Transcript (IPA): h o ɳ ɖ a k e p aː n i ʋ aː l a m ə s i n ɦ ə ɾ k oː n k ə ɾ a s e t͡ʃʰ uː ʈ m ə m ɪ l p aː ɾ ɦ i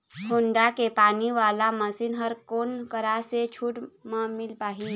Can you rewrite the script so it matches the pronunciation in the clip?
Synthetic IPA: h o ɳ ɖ a k e p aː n i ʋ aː l a m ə s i n ɦ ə ɾ k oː n k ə ɾ a s e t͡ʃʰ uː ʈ m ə m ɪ l p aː ɦ i